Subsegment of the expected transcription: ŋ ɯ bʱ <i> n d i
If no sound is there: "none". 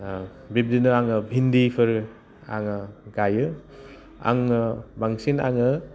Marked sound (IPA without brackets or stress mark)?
i